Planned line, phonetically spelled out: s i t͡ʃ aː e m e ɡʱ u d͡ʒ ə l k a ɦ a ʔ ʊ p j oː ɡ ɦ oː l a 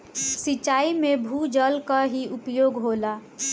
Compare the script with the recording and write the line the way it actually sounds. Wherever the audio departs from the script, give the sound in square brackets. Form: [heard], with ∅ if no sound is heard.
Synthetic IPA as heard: s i t͡ʃ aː [i] m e [bʱ] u d͡ʒ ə l k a ɦ [i] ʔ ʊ p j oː ɡ ɦ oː l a